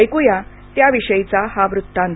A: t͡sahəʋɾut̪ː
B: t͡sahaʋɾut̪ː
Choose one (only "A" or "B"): B